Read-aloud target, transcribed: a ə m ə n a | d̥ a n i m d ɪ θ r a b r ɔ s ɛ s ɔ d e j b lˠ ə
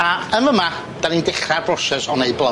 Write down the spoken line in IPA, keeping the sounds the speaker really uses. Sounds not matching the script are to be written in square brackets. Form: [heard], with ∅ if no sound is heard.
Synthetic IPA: a ə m ə [m] a | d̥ a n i [n] d ɪ [χ] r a b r ɔ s ɛ s ɔ [n] e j b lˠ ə